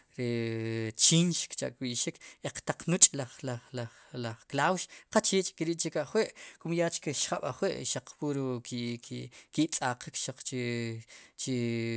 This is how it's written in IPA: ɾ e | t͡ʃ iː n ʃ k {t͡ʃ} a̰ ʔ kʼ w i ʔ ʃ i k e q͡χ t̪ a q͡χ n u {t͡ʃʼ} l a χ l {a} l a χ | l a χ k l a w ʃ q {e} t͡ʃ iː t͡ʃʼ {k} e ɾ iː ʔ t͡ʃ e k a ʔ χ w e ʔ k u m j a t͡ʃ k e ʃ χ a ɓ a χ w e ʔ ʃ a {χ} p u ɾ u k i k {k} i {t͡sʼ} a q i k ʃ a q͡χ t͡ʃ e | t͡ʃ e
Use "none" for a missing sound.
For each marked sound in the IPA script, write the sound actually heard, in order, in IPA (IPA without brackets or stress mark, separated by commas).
t͡ʃ, t͡ʃʼ, a, a, k, q͡χ, k, t͡sʼ